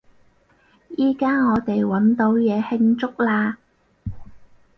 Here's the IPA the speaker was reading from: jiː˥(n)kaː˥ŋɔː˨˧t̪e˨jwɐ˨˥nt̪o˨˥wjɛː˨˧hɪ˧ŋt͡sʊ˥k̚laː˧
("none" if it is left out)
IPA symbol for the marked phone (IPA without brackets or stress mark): none